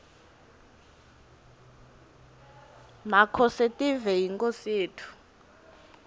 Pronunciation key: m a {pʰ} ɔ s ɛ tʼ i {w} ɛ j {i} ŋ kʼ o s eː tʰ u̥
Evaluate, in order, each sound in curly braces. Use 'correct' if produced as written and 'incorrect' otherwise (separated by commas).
incorrect, incorrect, correct